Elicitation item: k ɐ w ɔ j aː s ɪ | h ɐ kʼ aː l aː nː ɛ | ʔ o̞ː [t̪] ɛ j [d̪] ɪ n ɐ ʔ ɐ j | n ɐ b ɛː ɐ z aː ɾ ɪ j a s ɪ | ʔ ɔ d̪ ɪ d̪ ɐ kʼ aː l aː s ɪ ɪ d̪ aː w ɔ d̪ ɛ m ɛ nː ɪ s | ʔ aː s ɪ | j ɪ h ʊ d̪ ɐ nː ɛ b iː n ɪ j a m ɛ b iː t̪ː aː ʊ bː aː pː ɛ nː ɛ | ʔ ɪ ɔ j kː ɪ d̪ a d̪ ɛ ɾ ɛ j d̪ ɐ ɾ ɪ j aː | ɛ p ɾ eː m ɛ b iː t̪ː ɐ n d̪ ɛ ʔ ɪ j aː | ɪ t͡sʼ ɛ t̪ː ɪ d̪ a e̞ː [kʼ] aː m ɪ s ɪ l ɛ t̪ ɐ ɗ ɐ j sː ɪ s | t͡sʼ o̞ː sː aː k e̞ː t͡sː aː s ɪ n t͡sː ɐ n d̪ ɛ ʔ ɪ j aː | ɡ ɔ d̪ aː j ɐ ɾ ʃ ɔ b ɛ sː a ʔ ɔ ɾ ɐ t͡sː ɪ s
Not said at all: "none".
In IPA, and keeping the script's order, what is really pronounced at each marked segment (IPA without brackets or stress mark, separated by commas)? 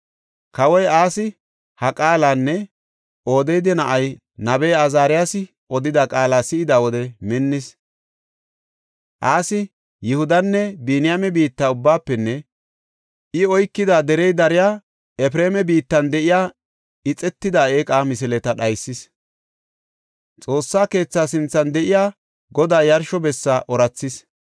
d̪, d̪, kʼ